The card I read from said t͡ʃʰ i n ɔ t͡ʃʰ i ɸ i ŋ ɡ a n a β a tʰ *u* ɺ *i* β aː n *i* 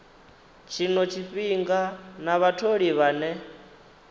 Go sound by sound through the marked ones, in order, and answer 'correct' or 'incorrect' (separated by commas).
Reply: incorrect, correct, incorrect